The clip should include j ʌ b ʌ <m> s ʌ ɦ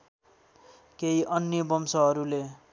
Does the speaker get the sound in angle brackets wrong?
no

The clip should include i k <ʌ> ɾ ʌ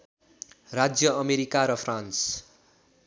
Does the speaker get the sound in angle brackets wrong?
yes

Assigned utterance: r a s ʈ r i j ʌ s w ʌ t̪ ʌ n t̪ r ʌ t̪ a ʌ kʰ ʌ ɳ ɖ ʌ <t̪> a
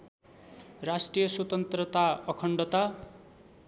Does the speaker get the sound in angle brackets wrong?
no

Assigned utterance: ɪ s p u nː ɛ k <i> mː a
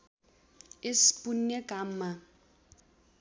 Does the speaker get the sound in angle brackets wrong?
yes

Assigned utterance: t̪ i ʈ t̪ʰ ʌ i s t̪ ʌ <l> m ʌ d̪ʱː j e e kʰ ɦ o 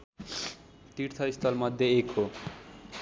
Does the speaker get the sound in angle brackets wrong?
no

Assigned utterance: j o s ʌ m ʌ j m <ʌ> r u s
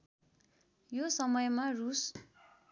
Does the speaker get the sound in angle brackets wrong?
yes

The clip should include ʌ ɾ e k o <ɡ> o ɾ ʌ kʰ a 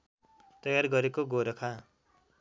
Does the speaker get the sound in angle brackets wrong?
no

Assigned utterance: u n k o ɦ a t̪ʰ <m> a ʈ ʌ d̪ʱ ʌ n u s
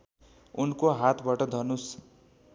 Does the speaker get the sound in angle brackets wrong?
yes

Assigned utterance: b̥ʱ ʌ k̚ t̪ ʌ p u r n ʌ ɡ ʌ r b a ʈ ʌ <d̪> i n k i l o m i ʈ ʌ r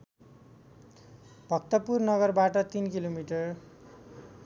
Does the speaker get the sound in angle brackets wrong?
yes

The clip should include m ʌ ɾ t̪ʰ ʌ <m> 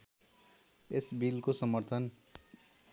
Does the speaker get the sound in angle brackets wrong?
yes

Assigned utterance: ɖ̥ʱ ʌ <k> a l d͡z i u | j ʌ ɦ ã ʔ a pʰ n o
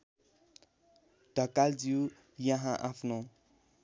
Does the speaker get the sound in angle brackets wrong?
no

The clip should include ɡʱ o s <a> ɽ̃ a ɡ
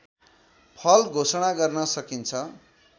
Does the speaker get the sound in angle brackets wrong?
yes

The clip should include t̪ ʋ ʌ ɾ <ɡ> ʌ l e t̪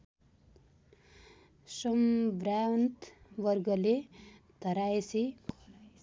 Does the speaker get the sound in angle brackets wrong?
no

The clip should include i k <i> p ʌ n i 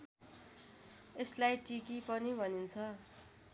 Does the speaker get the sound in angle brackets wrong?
no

